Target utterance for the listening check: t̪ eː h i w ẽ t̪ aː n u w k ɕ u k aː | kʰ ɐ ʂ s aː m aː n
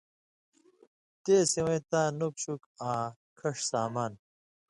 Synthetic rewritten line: t̪ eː s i w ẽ t̪ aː n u k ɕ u k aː | kʰ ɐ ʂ s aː m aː n